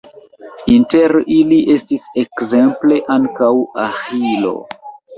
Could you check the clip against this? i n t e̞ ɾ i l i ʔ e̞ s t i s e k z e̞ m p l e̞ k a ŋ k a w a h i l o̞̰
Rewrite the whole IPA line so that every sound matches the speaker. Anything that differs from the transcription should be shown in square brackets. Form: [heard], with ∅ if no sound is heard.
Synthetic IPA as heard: i n t e̞ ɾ i l i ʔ e̞ s t i s e k z e̞ m p l e̞ [ʔ] a ŋ k a w a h i l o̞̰

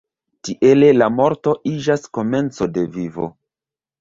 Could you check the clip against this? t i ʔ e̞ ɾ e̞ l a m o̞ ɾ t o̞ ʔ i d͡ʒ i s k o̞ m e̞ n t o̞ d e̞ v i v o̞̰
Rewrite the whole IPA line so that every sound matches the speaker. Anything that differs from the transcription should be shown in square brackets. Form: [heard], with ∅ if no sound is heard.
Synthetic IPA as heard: t i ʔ e̞ [l] e̞ l a m o̞ ɾ t o̞ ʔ i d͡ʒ [a] s k o̞ m e̞ n [t͡s] o̞ d e̞ v i v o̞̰

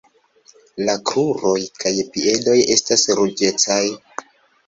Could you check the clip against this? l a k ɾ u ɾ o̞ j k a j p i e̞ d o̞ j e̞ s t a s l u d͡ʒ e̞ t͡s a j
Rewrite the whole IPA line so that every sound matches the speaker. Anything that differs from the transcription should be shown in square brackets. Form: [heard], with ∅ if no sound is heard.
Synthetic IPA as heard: l a k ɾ u ɾ o̞ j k a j p i e̞ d o̞ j e̞ s t a s [ɾ] u d͡ʒ e̞ t͡s a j

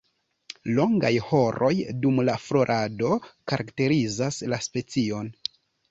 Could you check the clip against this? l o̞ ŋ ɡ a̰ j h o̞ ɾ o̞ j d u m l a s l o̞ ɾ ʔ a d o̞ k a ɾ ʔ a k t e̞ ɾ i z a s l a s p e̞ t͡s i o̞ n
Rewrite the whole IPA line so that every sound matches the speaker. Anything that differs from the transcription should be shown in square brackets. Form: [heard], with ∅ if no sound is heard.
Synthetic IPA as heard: l o̞ ŋ ɡ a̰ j h o̞ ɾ o̞ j d u m l a [f] l o̞ ɾ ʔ a d o̞ k a ɾ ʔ a k t e̞ ɾ i z a s l a s p e̞ t͡s i o̞ n

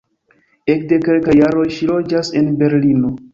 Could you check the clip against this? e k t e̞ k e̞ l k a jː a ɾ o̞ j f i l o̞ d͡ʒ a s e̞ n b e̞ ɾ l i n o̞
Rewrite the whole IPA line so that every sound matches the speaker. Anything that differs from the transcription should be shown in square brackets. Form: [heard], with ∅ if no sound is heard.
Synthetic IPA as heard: e k [d] e̞ k e̞ l k a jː a ɾ o̞ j [ʃ] i l o̞ d͡ʒ a s e̞ n b e̞ ɾ l i n o̞

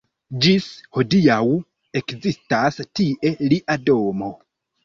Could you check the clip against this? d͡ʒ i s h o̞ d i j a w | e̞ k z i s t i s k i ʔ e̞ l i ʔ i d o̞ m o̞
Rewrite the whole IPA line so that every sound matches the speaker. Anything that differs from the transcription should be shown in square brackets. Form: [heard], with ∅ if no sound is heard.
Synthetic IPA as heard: d͡ʒ i s h o̞ d i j a w | e̞ k z i s t [a] s [t] i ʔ e̞ l i ʔ [a] d o̞ m o̞

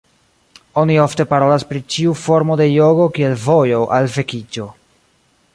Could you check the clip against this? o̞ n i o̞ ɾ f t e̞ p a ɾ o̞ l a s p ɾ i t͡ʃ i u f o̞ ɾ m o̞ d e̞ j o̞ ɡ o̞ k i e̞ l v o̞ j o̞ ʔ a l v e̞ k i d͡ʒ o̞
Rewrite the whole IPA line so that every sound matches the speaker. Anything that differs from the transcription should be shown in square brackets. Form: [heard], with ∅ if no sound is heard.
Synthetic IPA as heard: o̞ n i o̞ [∅] f t e̞ p a ɾ o̞ l a s p ɾ i t͡ʃ i u f o̞ ɾ m o̞ d e̞ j o̞ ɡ o̞ k i e̞ l v o̞ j o̞ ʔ a l v e̞ k i d͡ʒ o̞

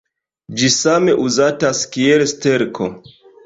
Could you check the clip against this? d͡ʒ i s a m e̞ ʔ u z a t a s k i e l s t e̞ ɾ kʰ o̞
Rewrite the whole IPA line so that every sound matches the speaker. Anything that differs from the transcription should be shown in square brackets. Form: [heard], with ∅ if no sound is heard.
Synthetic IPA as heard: d͡ʒ i s a m e̞ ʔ u z a t a s k i e l s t e̞ ɾ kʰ o̞

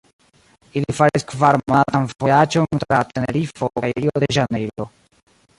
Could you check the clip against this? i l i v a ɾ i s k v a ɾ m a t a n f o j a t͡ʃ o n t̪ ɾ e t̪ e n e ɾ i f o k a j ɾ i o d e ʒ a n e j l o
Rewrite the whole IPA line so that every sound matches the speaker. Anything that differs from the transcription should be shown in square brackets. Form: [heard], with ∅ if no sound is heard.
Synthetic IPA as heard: i l i [f] a ɾ i s k v a ɾ m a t a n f o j a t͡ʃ o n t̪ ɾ [a] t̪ e n e ɾ i f o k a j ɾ i o d e ʒ a n e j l o

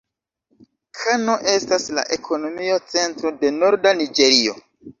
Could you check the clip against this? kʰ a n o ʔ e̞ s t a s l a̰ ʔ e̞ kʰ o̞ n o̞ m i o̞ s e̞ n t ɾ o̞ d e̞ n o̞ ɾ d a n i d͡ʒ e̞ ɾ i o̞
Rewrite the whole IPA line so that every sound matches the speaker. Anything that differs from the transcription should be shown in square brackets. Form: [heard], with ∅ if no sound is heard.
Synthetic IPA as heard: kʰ a n o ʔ e̞ s t a s l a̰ ʔ e̞ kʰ o̞ n o̞ m i o̞ [t͡s] e̞ n t ɾ o̞ d e̞ n o̞ ɾ d a n i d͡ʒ e̞ ɾ i o̞

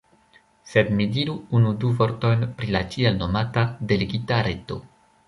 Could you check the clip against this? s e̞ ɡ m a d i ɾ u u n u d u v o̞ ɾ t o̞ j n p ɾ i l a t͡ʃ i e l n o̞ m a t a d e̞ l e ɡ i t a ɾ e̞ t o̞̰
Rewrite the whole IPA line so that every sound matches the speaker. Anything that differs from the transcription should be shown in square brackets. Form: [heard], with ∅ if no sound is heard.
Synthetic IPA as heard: s e̞ [d] m [i] d i ɾ u u n u d u v o̞ ɾ t o̞ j n p ɾ i l a t͡ʃ i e l n o̞ m a t a d e̞ l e ɡ i t a ɾ e̞ t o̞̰

